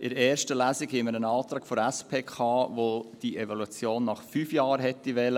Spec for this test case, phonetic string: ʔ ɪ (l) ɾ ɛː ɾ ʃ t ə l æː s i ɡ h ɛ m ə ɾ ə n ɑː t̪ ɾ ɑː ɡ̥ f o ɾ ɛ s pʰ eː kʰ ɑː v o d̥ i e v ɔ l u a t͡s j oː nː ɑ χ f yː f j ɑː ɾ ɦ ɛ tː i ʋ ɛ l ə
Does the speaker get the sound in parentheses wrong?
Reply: yes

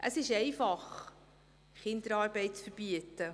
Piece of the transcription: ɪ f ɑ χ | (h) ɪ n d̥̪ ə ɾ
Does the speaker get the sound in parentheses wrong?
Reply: yes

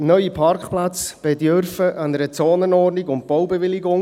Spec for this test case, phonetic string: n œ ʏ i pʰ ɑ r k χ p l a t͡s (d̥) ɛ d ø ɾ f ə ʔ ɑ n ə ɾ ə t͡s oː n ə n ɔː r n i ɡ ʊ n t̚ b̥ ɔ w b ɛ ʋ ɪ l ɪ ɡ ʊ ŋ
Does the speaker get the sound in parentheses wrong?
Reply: yes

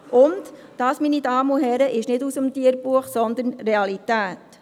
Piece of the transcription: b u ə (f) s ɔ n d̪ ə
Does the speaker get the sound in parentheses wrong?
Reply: yes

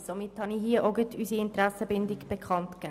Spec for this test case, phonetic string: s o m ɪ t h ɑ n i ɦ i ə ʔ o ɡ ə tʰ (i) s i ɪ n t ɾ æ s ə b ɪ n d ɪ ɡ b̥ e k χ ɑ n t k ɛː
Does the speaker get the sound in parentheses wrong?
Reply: yes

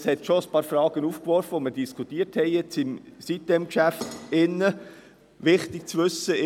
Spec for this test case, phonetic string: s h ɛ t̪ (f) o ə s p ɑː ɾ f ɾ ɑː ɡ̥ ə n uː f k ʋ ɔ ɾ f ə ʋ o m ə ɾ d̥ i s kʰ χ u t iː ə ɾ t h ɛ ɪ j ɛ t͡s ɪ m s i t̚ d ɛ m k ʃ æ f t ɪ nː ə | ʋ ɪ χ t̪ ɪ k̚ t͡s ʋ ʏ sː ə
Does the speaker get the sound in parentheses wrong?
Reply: yes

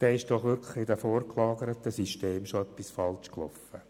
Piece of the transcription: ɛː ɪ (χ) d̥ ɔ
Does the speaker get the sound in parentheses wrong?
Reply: yes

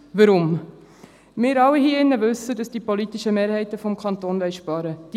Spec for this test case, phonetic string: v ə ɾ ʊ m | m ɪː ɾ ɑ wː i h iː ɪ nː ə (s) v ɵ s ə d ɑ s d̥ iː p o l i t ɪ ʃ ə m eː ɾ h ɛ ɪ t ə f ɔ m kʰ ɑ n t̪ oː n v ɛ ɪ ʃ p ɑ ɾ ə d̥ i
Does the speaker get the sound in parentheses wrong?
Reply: yes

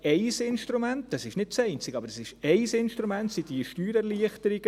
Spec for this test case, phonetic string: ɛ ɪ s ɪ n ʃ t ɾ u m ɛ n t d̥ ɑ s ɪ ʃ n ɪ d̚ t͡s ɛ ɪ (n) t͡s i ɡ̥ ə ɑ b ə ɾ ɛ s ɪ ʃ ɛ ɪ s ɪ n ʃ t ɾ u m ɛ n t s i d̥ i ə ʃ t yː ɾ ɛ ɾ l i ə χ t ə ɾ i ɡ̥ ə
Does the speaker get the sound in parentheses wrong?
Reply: no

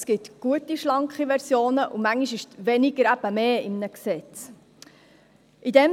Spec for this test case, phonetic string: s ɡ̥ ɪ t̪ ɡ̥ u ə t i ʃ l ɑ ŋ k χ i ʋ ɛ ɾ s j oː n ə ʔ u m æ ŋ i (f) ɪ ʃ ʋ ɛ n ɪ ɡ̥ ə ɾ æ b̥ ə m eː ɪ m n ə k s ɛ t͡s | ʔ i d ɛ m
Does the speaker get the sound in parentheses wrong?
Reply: yes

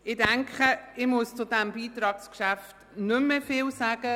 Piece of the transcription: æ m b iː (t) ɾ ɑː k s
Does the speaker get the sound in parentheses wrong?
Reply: no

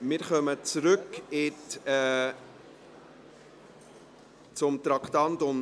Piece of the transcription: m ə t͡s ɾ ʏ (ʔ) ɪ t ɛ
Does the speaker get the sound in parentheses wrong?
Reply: yes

